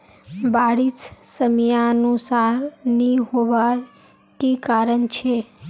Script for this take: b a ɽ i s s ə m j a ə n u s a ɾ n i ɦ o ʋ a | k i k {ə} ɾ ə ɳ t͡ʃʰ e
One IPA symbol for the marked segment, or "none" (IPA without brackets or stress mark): a